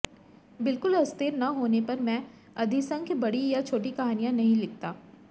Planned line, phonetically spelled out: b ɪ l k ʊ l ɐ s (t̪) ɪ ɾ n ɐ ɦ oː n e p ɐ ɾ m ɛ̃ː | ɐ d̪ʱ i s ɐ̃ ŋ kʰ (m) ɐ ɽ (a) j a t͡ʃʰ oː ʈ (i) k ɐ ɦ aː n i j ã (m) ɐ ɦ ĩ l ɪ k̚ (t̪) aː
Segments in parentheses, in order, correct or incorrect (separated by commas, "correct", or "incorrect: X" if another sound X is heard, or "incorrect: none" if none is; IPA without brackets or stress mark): correct, incorrect: b, incorrect: i, correct, incorrect: n, correct